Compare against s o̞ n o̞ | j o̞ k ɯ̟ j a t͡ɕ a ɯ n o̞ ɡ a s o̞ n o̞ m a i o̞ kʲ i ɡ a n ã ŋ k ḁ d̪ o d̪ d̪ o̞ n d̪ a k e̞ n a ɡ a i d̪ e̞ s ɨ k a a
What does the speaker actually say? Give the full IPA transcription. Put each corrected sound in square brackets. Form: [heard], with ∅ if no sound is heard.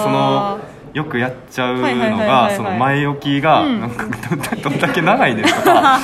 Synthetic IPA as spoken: s o̞ n o̞ | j o̞ k ɯ̟ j a t͡ɕ a ɯ n o̞ ɡ a s o̞ n o̞ m a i o̞ kʲ i ɡ a n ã ŋ k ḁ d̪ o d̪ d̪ o̞ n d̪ a k e̞ n a ɡ a i d̪ e̞ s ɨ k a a